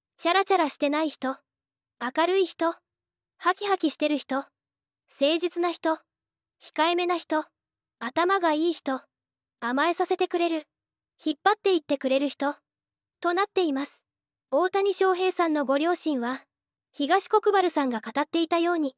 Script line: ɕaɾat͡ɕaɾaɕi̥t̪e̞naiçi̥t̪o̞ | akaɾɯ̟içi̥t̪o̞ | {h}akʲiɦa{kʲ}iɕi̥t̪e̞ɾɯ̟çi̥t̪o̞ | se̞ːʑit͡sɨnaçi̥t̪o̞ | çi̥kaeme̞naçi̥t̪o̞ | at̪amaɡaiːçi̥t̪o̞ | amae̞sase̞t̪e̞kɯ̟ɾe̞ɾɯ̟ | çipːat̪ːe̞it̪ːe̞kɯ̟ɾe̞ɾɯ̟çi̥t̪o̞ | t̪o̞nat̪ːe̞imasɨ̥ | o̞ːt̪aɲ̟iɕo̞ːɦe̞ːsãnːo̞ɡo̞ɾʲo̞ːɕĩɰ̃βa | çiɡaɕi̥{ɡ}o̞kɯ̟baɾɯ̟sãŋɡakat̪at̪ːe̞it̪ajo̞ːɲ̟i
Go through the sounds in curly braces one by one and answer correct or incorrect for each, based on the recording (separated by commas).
correct, correct, incorrect